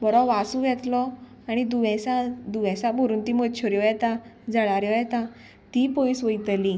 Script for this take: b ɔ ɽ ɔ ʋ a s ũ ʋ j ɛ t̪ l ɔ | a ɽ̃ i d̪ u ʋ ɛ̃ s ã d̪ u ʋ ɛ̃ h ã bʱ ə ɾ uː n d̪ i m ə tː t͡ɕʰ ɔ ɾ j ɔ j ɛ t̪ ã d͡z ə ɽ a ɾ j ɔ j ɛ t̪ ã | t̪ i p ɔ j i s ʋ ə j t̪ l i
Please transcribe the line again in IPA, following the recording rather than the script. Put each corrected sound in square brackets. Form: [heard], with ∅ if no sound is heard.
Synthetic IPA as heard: b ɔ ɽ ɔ ʋ a s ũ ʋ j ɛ t̪ l ɔ | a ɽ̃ i d̪ u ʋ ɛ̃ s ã d̪ u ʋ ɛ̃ [s] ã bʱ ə ɾ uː n [t̪] i m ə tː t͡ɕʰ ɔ ɾ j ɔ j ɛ t̪ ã d͡z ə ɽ a ɾ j ɔ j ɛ t̪ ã | t̪ i p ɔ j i s ʋ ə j t̪ l i